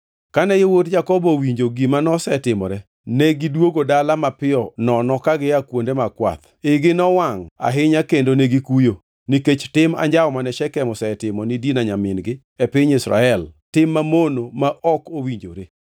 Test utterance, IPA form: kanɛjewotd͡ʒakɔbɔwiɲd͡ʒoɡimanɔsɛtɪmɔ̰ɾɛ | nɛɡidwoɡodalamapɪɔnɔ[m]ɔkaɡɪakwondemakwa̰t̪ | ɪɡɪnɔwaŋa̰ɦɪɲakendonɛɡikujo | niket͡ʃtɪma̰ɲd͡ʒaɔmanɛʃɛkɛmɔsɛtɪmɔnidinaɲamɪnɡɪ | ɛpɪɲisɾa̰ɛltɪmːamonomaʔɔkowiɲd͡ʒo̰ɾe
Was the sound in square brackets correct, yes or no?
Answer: no